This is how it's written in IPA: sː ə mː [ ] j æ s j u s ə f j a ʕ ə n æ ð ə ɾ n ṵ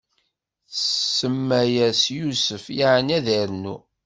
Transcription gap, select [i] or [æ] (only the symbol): æ